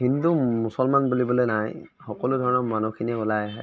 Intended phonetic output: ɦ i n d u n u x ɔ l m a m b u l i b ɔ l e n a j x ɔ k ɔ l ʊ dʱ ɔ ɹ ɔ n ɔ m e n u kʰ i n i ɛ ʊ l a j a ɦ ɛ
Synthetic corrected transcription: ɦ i n d u m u s ɔ l m a n b u l i b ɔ l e n a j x ɔ k ɔ l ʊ dʱ ɔ ɹ ɔ n ɔ m a n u kʰ i n i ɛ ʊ l a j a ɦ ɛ